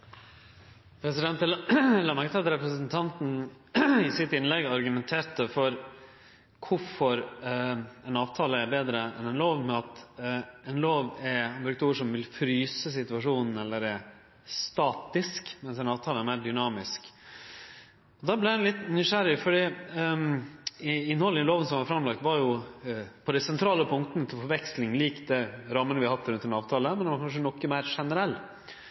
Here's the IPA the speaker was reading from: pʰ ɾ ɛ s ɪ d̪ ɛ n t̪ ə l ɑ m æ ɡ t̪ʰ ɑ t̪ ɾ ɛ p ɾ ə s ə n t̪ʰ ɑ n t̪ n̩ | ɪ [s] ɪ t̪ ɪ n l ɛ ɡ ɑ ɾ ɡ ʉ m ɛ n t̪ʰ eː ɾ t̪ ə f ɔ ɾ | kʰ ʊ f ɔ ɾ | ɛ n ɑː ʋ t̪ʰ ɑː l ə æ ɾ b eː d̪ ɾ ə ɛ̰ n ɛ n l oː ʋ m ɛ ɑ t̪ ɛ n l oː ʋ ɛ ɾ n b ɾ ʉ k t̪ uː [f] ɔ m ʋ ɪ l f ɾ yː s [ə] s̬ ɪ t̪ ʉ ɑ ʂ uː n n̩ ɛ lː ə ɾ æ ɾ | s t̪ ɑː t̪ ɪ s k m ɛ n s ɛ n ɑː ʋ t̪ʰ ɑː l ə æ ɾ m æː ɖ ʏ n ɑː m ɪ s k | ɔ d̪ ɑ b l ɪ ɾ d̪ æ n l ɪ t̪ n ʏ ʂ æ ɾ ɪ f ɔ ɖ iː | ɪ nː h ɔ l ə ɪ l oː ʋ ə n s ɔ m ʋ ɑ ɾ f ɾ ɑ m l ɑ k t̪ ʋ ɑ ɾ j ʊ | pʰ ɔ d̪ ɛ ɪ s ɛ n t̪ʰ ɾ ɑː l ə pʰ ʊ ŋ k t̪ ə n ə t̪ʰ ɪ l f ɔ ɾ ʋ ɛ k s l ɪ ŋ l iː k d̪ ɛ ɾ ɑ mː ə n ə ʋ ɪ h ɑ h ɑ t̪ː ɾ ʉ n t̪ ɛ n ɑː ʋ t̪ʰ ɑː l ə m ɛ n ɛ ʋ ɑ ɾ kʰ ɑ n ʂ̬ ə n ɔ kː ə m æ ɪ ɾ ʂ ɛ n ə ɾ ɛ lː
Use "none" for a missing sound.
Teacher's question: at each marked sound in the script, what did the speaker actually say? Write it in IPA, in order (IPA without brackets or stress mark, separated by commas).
s, ʂ, ə